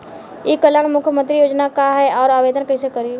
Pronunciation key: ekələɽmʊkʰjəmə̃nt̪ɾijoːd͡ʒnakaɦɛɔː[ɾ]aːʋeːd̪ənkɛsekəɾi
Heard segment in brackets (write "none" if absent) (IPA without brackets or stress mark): ɾ